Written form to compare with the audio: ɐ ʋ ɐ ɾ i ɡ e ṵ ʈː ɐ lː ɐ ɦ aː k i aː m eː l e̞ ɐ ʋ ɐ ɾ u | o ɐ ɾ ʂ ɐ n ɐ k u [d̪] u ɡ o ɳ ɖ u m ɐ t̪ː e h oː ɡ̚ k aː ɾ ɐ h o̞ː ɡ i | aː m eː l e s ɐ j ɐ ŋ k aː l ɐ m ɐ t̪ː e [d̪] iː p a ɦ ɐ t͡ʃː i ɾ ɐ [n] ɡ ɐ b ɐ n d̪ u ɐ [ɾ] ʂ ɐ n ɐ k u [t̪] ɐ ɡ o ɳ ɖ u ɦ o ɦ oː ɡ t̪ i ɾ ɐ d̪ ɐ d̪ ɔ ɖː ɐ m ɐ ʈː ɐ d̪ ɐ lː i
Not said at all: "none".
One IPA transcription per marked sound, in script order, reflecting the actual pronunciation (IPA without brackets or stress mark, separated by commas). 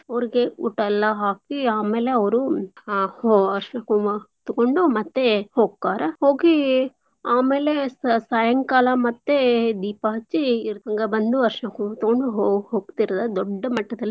t̪, d̪, ŋ, ɾ, t̪